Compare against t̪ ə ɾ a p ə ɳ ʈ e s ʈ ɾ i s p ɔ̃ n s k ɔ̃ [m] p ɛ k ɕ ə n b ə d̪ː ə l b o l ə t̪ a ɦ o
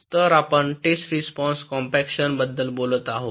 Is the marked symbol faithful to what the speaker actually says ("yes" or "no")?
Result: yes